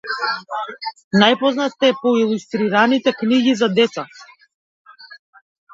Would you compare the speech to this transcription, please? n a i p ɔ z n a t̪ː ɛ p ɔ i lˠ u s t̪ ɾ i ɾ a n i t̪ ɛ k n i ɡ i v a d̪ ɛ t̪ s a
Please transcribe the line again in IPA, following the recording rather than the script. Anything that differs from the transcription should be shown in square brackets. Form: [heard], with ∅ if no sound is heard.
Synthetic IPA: n a [j] p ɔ z n a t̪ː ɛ p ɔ i lˠ u s t̪ ɾ i ɾ a n i t̪ ɛ k n i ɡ i [z] a d̪ ɛ t̪ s a